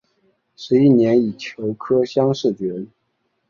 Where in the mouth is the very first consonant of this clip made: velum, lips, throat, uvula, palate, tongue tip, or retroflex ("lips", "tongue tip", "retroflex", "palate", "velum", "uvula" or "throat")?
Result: retroflex